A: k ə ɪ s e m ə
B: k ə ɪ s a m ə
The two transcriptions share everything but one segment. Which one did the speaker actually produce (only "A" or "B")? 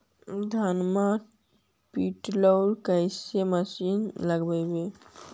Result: A